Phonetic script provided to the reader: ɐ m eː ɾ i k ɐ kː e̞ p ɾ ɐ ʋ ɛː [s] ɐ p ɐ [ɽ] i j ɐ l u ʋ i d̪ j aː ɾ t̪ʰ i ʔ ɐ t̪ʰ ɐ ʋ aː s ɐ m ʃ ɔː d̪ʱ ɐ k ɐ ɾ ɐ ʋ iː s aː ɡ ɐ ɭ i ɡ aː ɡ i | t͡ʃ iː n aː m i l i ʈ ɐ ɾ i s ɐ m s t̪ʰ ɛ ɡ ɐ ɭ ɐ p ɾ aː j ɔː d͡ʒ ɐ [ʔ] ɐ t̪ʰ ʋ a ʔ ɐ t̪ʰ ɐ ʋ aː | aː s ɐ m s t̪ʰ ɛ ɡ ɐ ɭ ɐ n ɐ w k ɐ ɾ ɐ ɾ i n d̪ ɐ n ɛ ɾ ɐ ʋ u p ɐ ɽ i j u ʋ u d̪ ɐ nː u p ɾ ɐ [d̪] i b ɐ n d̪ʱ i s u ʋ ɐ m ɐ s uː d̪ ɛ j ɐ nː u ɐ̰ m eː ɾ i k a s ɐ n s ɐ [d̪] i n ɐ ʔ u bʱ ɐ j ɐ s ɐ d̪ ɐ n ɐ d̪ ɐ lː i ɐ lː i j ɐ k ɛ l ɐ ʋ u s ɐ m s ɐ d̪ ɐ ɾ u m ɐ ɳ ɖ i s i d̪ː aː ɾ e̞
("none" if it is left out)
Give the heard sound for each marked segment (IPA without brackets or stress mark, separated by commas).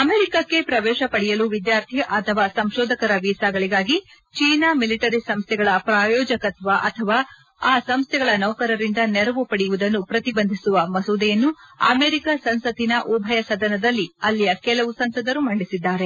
ʃ, ɽ, k, t̪, t̪